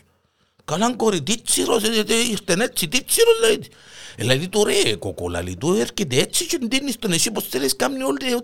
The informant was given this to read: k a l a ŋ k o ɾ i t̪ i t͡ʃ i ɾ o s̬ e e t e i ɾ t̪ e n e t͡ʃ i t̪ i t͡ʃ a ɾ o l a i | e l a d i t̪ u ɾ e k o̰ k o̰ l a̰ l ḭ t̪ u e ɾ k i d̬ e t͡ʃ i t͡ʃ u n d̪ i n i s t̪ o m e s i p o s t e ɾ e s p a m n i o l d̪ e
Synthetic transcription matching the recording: k a l a ŋ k o ɾ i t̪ i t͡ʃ i ɾ o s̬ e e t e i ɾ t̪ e n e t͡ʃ i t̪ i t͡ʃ i ɾ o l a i | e l a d i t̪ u ɾ e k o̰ k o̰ l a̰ l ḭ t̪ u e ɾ k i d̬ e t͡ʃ i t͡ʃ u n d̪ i n i s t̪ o n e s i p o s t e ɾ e s k a m n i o l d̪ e